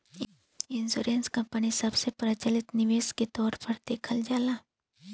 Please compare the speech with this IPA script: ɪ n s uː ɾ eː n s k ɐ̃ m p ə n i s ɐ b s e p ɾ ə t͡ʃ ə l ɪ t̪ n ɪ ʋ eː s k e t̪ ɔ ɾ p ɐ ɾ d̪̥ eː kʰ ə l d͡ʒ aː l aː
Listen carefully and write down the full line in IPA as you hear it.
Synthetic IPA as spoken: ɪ n s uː ɾ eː n s k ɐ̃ m p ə n i s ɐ b s e p ɾ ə t͡ʃ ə l ɪ t̪ n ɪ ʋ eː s k e t̪ ɔː ɾ p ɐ ɾ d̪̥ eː kʰ ə l d͡ʒ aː l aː